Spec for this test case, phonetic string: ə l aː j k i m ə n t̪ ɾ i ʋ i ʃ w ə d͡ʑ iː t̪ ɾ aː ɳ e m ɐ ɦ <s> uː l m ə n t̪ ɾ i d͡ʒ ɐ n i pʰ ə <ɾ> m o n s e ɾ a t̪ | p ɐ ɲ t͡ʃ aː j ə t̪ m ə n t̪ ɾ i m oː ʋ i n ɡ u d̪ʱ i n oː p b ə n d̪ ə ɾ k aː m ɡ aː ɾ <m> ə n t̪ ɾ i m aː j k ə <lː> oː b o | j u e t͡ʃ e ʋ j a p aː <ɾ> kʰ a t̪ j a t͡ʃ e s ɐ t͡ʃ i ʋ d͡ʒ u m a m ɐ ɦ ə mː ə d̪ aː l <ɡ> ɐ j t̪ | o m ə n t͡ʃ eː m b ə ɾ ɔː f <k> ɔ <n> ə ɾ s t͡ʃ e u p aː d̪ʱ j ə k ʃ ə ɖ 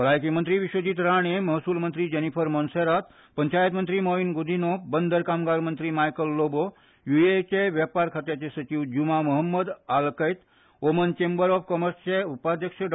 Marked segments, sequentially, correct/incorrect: correct, correct, correct, correct, correct, incorrect: k, correct, incorrect: m

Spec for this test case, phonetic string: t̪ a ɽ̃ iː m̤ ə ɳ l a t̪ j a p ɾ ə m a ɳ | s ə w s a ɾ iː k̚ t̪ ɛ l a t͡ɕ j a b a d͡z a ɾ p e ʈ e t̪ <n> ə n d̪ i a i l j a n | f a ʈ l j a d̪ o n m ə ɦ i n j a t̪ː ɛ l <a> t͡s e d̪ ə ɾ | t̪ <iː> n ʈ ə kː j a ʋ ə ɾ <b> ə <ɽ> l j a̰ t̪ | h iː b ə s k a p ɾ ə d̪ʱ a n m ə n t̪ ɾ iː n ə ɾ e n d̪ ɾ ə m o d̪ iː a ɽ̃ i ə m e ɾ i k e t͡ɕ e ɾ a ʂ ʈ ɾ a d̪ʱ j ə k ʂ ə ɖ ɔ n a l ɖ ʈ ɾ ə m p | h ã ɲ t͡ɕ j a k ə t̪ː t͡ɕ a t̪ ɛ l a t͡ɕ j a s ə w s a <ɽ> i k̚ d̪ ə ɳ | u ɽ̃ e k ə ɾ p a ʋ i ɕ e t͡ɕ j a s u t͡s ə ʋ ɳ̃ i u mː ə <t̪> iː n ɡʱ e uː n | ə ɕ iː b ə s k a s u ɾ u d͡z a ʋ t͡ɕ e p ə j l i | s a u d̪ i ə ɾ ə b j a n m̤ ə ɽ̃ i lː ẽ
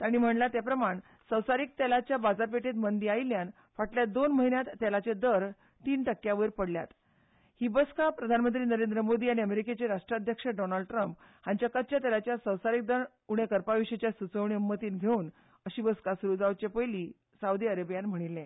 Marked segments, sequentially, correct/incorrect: incorrect: m, correct, correct, incorrect: p, correct, incorrect: ɾ, correct

